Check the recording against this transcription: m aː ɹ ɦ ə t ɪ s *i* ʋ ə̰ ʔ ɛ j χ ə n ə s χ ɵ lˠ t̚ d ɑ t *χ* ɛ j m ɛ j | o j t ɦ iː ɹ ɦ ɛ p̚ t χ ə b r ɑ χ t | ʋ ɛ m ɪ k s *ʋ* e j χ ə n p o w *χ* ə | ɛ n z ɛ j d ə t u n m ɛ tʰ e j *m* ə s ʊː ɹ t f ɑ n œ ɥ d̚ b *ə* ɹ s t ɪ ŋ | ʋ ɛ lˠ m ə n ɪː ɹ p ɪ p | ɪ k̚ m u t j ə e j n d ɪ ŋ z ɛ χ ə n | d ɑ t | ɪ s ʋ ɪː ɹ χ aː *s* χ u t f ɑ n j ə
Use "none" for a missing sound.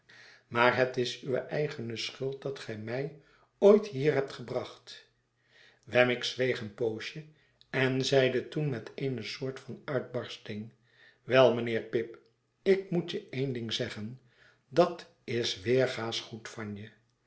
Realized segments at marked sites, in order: y, χ, ʋ, ʃ, n, ɑ, s

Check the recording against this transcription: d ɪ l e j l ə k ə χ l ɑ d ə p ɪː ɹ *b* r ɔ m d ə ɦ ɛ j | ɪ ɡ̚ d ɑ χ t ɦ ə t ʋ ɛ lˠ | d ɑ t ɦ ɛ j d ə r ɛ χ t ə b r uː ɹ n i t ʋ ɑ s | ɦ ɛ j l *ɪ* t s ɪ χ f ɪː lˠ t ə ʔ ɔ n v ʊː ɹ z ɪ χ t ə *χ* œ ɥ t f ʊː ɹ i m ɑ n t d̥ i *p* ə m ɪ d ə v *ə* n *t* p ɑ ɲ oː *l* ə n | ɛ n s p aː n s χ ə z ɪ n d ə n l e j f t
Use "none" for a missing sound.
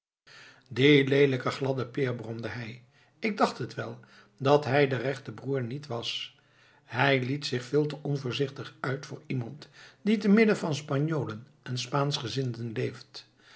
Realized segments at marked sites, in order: b, i, χ, t, ɑ, s, l

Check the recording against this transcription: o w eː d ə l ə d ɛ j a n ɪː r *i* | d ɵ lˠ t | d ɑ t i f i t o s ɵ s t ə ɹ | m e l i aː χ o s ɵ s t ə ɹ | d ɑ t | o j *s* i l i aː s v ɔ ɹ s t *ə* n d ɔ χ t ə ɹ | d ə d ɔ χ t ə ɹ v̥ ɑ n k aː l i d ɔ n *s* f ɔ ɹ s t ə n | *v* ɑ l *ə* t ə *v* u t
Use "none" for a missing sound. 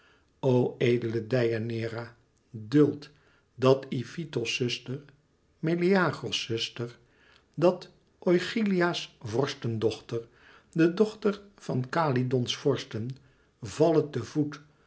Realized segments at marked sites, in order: a, χ, ə, s, v, ə, v

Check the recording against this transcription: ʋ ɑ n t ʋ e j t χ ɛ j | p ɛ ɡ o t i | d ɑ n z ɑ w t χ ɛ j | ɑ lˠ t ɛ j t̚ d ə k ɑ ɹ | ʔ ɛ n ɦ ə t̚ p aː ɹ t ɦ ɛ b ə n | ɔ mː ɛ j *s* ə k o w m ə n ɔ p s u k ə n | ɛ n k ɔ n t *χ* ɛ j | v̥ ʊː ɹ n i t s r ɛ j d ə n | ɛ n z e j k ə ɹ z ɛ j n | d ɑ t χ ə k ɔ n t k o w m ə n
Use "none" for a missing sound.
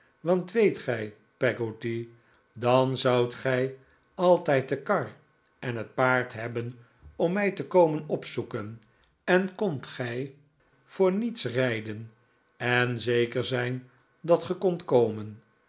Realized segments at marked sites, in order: t, χ

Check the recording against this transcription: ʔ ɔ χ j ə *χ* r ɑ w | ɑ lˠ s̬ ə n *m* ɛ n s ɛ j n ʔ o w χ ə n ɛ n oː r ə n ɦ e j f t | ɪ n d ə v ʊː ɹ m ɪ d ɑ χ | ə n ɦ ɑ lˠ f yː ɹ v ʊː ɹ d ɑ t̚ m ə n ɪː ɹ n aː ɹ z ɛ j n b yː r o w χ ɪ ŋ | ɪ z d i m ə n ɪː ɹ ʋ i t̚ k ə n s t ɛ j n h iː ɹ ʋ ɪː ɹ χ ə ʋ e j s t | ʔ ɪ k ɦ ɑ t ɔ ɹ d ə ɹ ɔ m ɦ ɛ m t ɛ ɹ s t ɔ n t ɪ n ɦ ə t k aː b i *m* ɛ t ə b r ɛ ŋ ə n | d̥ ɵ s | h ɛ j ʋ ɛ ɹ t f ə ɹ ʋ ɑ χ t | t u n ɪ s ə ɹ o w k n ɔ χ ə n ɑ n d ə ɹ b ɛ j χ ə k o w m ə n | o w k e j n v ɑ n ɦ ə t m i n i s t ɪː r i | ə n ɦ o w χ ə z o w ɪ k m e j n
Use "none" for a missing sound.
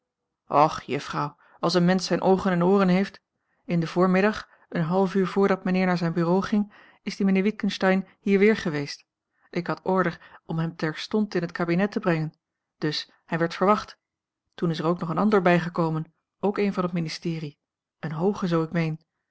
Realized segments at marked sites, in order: f, m, n

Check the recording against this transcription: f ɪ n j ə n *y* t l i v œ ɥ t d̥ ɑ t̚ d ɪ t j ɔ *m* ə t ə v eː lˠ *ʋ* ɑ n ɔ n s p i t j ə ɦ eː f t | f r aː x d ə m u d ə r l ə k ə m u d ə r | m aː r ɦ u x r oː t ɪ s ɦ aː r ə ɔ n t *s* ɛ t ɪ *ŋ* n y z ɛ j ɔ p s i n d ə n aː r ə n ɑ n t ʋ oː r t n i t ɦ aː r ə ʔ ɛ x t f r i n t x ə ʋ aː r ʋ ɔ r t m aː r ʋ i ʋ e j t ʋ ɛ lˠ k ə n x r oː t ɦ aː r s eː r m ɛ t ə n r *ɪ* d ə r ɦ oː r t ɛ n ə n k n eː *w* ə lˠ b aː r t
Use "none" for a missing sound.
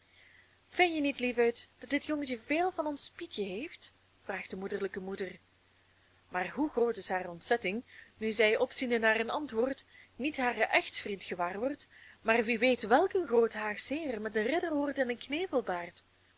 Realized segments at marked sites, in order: i, ŋ, v, s, ŋ, ɪ, v

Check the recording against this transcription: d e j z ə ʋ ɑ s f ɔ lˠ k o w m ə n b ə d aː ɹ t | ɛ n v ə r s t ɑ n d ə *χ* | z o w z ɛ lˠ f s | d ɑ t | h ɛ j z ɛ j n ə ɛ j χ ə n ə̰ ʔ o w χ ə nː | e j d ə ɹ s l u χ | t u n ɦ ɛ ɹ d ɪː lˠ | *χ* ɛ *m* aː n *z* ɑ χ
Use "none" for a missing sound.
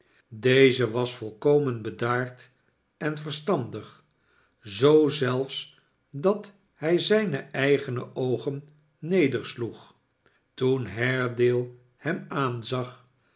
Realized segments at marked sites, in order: χ, h, m, z

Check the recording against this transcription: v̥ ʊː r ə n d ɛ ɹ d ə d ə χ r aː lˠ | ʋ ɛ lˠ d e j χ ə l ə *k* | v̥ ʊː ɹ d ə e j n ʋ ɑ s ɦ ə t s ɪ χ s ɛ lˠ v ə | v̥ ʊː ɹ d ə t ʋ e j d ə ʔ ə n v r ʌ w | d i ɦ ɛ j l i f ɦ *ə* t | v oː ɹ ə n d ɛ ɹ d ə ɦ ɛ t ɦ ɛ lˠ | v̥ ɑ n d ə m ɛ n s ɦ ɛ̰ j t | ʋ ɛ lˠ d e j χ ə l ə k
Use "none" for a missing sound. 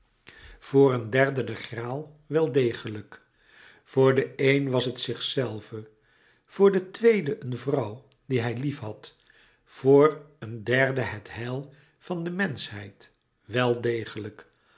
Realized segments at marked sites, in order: k, ɑ

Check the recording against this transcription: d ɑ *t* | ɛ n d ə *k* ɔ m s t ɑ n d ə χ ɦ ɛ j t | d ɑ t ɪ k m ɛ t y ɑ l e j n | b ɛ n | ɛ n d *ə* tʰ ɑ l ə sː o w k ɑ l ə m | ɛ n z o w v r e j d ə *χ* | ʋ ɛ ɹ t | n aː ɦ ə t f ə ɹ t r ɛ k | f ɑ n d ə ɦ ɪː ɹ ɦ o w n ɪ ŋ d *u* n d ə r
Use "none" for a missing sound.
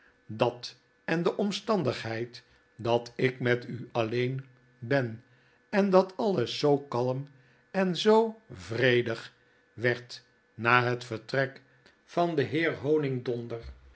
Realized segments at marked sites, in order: t, ʔ, ɑ, χ, ɔ

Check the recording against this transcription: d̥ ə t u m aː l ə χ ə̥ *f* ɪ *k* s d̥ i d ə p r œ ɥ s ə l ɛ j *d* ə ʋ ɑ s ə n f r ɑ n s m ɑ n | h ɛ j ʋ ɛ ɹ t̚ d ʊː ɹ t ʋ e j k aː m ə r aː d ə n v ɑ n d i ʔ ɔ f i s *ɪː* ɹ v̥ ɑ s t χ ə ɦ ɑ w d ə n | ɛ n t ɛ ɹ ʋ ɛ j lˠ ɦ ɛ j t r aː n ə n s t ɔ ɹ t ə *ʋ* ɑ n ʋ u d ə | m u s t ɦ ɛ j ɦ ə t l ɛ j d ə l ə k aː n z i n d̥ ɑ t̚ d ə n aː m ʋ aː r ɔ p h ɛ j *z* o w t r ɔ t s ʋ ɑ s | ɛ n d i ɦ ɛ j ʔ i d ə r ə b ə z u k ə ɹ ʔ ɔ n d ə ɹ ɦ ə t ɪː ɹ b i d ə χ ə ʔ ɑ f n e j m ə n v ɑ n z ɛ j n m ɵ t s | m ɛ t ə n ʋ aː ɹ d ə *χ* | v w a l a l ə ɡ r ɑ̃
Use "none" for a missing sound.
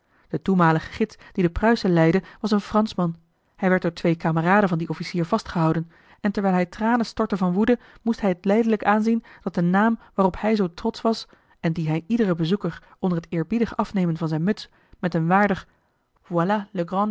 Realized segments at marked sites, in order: χ, t, d, iː, v, z, χ

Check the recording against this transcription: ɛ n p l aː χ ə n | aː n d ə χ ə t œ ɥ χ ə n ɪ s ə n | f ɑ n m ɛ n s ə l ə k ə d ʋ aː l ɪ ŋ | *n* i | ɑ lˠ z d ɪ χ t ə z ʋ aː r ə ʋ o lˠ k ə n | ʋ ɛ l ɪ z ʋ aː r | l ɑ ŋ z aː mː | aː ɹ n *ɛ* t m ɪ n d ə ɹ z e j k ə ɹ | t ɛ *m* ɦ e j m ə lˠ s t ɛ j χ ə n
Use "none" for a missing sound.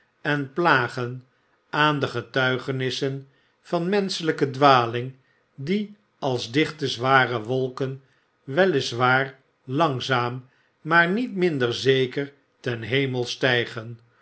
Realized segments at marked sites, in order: d, i, n

